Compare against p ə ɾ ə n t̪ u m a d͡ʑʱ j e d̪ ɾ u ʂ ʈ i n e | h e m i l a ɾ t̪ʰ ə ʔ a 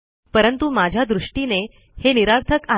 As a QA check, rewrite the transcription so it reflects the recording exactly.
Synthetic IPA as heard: p ə ɾ ə n t̪ u m a d͡ʑʱ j a d̪ ɾ u ʂ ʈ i n e | h e n i ɾ a ɾ t̪ʰ ə k a